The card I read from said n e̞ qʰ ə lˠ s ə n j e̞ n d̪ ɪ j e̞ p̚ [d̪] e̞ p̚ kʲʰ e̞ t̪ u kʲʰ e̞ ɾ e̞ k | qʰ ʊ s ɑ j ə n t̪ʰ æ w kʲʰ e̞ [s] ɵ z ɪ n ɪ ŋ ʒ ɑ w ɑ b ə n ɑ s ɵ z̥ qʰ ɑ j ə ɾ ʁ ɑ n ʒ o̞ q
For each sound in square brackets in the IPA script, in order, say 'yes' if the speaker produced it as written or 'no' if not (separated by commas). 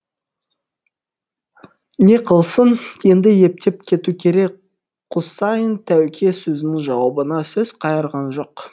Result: no, yes